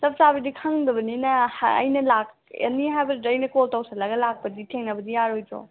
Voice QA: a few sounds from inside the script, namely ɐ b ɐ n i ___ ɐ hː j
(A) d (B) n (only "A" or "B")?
B